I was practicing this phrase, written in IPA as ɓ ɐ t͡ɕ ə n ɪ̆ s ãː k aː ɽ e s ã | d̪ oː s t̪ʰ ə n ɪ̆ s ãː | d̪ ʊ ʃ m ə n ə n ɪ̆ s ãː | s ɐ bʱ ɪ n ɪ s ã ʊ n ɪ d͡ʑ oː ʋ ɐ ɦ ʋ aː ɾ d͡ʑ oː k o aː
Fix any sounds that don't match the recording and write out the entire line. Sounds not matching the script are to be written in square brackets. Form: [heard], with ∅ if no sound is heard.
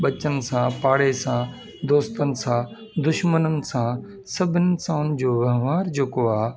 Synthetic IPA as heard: ɓ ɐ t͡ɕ ə n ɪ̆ s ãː [p] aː ɽ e s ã | d̪ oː s [t̪] ə n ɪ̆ s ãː | d̪ ʊ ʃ m ə n ə n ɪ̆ s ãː | s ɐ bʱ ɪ n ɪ s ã ʊ n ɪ d͡ʑ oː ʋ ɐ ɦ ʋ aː ɾ d͡ʑ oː k o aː